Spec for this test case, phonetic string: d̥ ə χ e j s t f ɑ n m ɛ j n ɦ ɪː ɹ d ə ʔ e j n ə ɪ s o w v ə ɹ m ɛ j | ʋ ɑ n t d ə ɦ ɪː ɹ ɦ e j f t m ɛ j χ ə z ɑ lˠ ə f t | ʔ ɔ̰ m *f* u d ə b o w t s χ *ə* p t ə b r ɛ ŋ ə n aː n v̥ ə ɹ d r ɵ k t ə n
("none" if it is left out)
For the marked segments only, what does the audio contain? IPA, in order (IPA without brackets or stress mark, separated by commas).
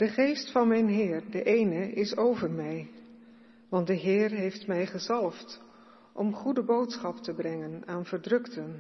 χ, ɑ